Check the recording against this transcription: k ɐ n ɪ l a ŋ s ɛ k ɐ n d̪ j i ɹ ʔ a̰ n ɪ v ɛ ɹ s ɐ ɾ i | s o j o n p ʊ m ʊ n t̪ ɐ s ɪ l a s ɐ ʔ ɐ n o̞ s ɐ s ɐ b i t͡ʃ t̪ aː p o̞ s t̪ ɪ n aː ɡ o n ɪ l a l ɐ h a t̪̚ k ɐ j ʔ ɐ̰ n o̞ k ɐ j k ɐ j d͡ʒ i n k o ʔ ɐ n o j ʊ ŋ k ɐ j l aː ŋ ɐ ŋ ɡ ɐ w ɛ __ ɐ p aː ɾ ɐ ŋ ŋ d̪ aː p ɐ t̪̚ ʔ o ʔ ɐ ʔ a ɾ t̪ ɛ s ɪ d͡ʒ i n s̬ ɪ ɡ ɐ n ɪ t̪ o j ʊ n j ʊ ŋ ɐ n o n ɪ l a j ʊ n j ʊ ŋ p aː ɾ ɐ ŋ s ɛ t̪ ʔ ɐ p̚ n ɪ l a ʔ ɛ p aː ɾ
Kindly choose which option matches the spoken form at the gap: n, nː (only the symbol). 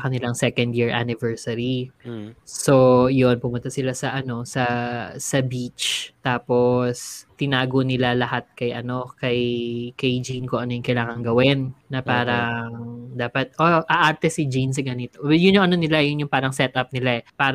nː